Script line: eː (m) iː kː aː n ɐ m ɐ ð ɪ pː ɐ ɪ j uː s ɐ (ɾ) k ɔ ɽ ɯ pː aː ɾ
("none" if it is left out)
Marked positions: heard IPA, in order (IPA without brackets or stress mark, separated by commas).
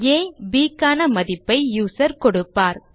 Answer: b, ɾ